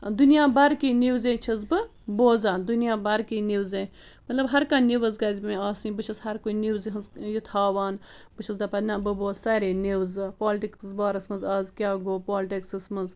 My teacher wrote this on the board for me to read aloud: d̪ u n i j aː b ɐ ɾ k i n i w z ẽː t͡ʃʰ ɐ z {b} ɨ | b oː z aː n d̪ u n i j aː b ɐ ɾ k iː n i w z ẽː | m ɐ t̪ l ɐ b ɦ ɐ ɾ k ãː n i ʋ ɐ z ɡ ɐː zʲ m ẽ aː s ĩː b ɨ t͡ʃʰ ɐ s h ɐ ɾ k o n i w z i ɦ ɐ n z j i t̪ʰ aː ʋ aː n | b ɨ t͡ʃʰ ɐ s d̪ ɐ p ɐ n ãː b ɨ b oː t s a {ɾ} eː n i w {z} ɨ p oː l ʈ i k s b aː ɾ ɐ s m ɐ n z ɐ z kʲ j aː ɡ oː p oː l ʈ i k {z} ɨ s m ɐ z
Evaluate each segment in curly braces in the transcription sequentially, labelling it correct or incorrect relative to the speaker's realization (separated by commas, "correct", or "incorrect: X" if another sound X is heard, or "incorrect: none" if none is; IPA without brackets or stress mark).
correct, correct, correct, incorrect: s